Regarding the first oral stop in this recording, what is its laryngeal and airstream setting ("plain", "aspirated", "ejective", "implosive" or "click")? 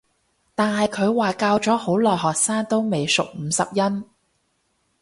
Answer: plain